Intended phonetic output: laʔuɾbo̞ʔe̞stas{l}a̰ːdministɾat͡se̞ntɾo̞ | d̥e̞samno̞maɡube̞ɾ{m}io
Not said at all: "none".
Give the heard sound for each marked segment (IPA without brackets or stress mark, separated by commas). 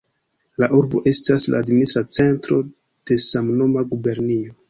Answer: l, n